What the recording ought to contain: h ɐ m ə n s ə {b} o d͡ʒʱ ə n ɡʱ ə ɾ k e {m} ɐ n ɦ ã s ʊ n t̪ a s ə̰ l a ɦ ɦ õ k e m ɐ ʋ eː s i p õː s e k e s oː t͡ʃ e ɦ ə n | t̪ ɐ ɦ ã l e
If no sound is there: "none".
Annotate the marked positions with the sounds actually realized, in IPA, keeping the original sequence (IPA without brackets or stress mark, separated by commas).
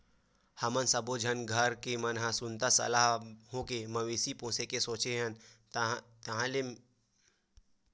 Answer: b, m